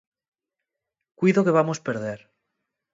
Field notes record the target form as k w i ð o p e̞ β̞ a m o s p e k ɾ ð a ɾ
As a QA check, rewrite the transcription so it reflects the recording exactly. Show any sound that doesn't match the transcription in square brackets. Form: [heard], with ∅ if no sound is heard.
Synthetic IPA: k w i ð o [k] e̞ β̞ a m o s p e [∅] ɾ ð [e] ɾ